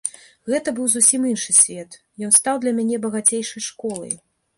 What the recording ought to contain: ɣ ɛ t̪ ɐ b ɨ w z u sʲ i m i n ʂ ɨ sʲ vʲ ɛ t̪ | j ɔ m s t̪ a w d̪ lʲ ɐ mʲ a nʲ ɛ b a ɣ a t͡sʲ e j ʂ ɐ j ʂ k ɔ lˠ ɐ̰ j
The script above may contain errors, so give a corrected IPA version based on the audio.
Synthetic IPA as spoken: ɣ ɛ t̪ ɐ b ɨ w z u sʲ i m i n ʂ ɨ sʲ vʲ ɛ t̪ | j ɔ n s t̪ a w d̪ lʲ ɐ mʲ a nʲ ɛ b ɐ ɣ a t͡sʲ e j ʂ ɐ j ʂ k ɔ lˠ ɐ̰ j